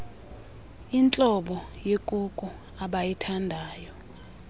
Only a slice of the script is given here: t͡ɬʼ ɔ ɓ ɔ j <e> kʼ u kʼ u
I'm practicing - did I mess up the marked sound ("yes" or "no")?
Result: no